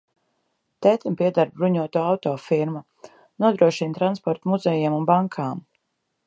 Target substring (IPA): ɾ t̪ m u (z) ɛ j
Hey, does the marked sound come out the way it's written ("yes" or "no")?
yes